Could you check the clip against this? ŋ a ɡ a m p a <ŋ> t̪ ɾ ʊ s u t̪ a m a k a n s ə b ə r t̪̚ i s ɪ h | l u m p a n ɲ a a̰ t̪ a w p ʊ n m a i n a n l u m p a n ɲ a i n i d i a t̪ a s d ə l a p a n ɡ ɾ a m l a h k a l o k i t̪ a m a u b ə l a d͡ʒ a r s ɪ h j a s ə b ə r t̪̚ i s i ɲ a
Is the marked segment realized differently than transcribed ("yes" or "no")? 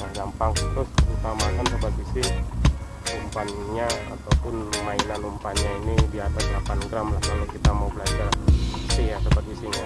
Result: no